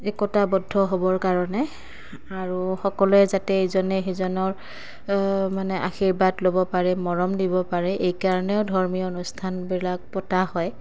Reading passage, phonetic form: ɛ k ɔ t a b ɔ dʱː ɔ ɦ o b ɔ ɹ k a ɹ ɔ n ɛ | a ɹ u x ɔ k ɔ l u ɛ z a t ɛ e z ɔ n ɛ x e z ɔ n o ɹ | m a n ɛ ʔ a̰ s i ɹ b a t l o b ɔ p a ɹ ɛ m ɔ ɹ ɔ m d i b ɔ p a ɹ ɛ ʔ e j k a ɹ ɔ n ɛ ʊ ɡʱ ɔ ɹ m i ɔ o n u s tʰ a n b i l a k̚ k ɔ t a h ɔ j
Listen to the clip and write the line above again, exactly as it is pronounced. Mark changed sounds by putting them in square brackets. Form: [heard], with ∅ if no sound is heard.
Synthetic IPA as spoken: ɛ k ɔ t a b ɔ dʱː ɔ ɦ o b ɔ ɹ k a ɹ ɔ n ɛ | a ɹ u x ɔ k ɔ l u ɛ z a t ɛ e z ɔ n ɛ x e z ɔ n [ɔ] ɹ | m a n ɛ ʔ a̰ [x] i ɹ b a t l o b ɔ p a ɹ ɛ m ɔ ɹ ɔ m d i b ɔ p a ɹ ɛ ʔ e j k a ɹ ɔ n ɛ ʊ [dʱ] ɔ ɹ m i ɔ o n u s tʰ a n b i l a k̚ [p] ɔ t a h ɔ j